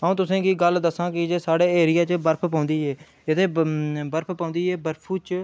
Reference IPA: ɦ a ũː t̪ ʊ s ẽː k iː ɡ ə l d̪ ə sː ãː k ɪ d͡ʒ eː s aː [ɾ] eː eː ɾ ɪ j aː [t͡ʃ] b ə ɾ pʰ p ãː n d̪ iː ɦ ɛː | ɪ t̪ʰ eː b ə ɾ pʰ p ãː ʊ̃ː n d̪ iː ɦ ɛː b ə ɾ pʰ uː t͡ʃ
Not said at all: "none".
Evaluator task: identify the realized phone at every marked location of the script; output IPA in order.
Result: ɽ, t͡ʃ

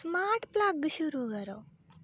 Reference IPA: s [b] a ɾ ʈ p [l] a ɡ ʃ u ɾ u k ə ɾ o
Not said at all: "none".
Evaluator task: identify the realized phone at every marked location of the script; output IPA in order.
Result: m, l

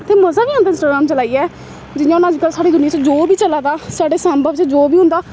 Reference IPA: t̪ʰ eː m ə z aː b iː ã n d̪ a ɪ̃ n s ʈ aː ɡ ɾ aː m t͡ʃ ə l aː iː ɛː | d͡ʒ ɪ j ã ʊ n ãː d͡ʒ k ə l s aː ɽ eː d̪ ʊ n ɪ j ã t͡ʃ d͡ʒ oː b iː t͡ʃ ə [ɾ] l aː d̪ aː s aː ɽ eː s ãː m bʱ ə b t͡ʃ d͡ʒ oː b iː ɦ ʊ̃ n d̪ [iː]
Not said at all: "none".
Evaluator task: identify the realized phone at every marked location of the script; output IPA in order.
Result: none, aː

